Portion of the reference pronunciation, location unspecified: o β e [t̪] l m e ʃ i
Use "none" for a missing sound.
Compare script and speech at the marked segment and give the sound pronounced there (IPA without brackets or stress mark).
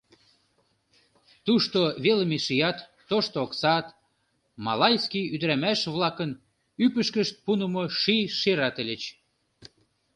none